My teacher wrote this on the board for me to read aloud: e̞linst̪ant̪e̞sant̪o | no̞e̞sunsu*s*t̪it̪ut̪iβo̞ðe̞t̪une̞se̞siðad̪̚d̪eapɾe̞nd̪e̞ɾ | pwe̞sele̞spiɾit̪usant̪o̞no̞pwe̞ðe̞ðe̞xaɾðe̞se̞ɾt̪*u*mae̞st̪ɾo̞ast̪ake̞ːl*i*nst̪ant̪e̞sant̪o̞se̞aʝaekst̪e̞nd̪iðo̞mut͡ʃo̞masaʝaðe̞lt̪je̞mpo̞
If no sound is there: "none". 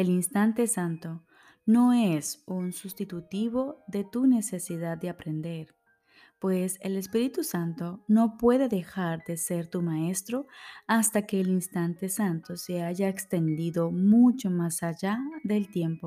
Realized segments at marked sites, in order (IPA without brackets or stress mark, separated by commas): s, u, i